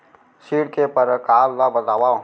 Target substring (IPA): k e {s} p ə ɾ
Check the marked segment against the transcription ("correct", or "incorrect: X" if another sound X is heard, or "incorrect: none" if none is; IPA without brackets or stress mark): incorrect: none